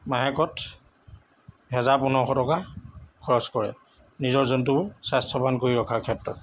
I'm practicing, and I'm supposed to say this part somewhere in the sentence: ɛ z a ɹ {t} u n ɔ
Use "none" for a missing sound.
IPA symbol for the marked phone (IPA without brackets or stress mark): p